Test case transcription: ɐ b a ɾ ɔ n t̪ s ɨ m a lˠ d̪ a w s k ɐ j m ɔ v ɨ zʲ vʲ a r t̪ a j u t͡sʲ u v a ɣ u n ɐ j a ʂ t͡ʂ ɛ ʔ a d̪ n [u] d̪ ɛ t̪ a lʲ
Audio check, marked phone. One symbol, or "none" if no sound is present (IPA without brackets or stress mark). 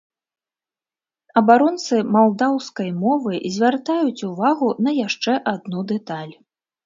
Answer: u